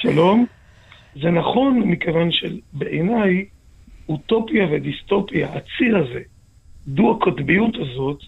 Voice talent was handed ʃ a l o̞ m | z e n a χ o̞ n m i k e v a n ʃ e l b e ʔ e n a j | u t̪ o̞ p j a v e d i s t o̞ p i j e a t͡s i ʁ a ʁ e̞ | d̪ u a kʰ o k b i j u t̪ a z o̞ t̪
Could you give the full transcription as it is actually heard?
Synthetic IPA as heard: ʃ a l o̞ m | z e n a χ o̞ n m i k e v a n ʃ e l b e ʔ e n a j | u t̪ o̞ p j a v e d i s t o̞ p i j a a t͡s i ʁ a z e̞ | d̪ u a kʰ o t b i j u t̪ a z o̞ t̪